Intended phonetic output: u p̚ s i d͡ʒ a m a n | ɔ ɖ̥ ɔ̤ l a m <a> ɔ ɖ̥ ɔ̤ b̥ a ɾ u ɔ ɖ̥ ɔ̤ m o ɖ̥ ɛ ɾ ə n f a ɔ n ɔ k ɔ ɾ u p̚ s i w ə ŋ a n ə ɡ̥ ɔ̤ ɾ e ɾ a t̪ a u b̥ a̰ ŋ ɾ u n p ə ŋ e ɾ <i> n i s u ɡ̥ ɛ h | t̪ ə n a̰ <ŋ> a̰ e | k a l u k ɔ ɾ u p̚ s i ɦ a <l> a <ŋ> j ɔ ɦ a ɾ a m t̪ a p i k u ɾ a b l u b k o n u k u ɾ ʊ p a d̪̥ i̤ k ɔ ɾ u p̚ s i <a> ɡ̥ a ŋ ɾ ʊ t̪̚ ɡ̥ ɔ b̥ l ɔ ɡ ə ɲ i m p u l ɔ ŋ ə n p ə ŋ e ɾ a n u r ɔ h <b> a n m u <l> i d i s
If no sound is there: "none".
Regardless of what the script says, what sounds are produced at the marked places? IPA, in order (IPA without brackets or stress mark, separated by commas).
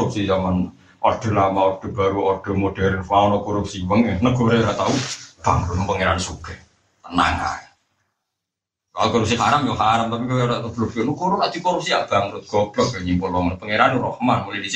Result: a, a, ŋ, ɾ, m, a, m, l